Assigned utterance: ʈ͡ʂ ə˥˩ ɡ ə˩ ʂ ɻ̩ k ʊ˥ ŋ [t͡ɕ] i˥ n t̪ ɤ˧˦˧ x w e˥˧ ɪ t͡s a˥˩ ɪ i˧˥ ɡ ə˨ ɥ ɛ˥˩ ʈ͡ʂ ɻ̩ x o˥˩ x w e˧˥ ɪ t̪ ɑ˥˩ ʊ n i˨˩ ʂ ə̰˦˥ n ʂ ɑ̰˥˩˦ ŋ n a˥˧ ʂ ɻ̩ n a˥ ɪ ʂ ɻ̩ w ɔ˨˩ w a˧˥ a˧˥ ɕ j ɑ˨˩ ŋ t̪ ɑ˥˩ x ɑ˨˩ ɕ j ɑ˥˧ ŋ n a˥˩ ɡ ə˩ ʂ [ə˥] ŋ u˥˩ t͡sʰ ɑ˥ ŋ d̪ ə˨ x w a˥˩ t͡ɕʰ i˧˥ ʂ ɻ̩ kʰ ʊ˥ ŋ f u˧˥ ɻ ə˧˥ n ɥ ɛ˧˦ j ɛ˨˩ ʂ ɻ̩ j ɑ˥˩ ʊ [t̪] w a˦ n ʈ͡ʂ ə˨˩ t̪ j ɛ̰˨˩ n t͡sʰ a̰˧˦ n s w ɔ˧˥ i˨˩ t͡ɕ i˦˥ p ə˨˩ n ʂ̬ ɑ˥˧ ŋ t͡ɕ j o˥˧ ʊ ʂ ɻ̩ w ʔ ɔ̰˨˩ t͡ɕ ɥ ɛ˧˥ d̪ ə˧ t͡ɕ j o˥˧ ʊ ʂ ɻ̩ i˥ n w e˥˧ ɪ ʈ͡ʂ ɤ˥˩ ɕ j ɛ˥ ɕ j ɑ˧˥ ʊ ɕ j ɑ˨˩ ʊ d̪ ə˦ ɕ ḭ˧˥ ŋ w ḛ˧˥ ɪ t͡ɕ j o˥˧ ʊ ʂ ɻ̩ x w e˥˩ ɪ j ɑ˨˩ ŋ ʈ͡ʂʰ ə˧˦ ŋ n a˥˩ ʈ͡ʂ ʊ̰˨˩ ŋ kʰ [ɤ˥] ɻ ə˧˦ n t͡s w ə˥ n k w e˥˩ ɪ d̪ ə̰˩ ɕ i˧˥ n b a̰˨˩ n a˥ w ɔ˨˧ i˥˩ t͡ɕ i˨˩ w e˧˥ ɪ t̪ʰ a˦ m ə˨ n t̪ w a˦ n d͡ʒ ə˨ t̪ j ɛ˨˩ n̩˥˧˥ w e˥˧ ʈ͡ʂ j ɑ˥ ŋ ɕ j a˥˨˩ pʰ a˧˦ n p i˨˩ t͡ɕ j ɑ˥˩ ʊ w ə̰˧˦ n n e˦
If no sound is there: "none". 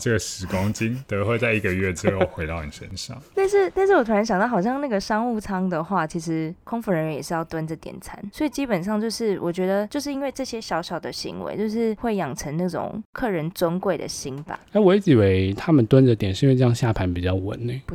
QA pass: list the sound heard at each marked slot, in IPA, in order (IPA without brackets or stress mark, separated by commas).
t͡ɕ, ɑ˥, t̪, ɤ˥˩